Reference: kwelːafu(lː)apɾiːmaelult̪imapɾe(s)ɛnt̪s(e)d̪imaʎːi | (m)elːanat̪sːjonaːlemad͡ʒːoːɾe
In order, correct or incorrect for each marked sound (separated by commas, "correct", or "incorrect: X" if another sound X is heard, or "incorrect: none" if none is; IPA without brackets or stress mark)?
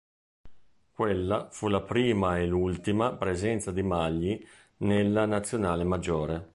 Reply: incorrect: l, incorrect: z, incorrect: a, incorrect: n